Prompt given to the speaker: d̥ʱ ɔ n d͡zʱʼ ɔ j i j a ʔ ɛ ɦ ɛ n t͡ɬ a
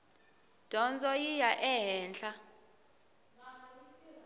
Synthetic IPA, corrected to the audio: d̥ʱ ɔ n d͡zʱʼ ɔ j i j a ʔ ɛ ɦ ɛː n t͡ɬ a